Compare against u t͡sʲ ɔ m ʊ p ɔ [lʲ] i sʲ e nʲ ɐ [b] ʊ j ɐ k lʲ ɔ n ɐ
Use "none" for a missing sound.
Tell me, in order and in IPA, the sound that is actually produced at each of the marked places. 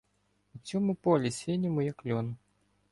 lʲ, m

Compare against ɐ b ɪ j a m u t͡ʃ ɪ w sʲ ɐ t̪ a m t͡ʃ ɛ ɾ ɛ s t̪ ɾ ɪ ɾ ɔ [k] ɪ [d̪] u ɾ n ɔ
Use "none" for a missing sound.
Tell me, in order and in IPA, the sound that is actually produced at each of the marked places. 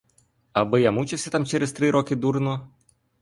k, d̪

